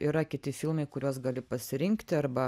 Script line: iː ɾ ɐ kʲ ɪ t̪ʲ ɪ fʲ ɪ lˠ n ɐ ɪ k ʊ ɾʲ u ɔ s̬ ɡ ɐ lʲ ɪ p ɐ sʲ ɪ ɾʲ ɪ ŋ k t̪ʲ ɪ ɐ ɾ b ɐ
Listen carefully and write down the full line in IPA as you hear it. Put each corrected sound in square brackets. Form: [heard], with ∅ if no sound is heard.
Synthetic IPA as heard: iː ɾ ɐ kʲ ɪ t̪ʲ ɪ fʲ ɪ lˠ [m] ɐ ɪ k ʊ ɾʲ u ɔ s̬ ɡ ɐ lʲ ɪ p ɐ sʲ ɪ ɾʲ ɪ ŋ k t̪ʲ ɪ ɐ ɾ b ɐ